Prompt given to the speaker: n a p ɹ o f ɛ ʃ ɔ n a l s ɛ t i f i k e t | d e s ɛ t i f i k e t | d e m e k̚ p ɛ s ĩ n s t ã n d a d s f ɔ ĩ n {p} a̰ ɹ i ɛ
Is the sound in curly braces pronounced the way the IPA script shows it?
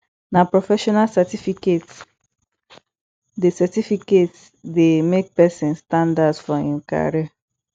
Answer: no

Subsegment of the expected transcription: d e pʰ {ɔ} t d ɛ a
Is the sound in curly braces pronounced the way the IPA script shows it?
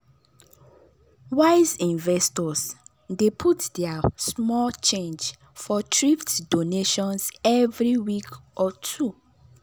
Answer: no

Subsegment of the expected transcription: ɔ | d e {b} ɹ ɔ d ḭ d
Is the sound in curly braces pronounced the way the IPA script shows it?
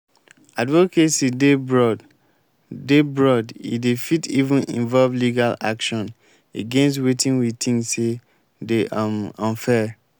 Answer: yes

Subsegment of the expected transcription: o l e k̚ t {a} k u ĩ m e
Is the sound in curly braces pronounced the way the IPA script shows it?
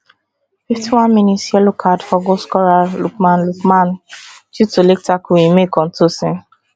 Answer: yes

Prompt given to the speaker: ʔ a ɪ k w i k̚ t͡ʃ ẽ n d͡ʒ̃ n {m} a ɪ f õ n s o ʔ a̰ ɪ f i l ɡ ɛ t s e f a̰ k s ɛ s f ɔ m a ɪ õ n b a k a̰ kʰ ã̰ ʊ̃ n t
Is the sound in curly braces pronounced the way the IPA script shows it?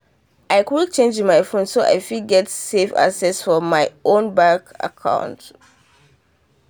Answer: yes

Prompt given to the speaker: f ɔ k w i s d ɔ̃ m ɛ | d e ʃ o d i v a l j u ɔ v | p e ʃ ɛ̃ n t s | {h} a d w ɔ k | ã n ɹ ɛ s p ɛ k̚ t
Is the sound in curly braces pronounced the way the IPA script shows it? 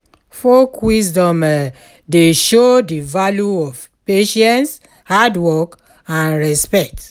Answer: yes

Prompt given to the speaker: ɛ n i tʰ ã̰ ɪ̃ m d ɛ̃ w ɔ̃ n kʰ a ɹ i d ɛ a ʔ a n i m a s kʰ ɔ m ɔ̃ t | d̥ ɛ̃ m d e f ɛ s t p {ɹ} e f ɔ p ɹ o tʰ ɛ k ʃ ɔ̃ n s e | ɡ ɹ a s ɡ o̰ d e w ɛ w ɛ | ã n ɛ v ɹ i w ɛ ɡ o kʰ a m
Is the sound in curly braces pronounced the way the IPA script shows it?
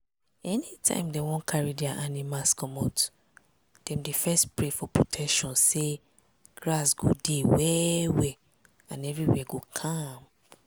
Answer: yes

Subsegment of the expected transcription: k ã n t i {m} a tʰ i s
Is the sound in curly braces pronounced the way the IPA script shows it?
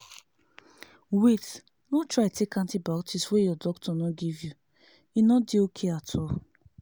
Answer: no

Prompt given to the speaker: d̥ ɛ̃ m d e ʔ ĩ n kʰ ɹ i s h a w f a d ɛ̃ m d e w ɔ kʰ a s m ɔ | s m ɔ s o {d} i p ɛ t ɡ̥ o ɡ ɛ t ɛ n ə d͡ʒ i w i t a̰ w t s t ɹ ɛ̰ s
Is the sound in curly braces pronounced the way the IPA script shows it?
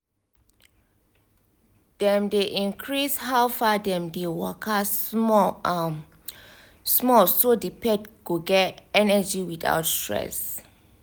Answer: yes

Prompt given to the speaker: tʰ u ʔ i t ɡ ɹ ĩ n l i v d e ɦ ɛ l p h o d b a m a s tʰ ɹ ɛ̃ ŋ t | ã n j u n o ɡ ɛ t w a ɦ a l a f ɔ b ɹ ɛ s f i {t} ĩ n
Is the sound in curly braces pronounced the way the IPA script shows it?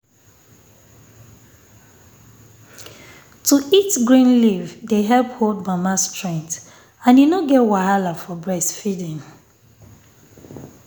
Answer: no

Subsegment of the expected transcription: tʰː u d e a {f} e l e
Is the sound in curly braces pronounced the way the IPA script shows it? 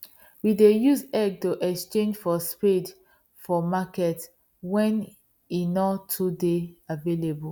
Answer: no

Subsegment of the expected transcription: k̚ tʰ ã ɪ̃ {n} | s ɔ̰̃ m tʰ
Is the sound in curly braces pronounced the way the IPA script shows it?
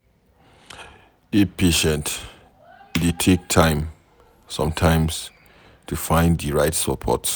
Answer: no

